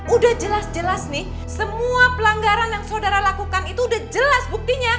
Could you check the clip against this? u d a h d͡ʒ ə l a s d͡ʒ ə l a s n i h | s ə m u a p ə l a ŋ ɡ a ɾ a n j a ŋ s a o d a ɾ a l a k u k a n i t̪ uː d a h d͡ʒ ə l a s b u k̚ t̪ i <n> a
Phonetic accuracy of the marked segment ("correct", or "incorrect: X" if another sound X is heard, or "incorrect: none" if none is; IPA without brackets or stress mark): incorrect: ɲ